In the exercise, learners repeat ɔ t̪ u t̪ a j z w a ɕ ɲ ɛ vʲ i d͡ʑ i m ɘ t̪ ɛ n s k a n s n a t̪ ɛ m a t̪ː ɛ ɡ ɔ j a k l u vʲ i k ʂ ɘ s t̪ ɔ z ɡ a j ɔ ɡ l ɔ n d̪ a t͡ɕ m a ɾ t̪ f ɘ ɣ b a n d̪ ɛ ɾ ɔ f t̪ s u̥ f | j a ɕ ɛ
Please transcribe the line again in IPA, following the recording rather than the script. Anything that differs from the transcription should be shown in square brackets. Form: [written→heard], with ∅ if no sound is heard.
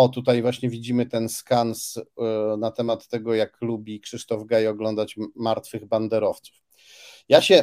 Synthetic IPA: ɔ t̪ u t̪ a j [z→v] w a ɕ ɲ ɛ vʲ i d͡ʑ i m ɘ t̪ ɛ n s k a n s n a t̪ ɛ m a t̪ː ɛ ɡ ɔ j a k l u [vʲ→bʲ] i k ʂ ɘ [s→ʂ] t̪ ɔ [z→v] ɡ a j ɔ ɡ l ɔ n d̪ a t͡ɕ m a ɾ t̪ f ɘ ɣ b a n d̪ ɛ ɾ ɔ f t̪ s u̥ f | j a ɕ ɛ